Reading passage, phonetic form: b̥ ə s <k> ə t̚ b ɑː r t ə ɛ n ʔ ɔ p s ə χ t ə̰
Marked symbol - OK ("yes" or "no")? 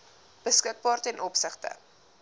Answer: yes